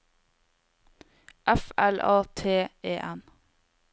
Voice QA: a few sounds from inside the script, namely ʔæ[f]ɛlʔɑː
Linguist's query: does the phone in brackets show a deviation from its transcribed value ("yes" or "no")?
no